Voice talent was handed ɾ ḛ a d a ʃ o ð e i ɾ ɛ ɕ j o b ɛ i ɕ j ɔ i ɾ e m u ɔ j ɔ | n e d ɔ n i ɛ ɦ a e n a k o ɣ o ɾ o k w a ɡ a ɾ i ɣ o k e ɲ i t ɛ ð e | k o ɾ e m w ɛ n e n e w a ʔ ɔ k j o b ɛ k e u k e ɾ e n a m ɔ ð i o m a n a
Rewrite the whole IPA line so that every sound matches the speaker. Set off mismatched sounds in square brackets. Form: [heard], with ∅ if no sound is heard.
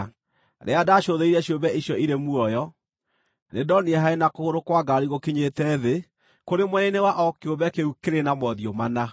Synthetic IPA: ɾ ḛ a d a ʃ o ð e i ɾ ɛ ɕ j o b ɛ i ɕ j ɔ i ɾ e m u ɔ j ɔ | n e d ɔ n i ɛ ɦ a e n a k o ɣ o ɾ o k w a ɡ a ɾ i ɣ o k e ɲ [e] t ɛ ð e | k o ɾ e m w ɛ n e n e w a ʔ ɔ k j o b ɛ k e u k e ɾ e n a m ɔ ð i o m a n a